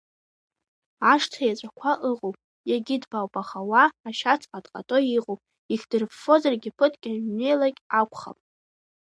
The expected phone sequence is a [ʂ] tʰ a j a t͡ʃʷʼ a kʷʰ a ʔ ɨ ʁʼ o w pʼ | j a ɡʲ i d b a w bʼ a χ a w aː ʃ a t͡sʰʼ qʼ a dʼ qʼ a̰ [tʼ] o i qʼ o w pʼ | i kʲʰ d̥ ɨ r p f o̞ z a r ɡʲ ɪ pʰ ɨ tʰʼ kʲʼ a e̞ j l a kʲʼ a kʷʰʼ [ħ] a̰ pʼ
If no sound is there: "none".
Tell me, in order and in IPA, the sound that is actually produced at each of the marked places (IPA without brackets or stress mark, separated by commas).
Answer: ʂ, tʼ, χ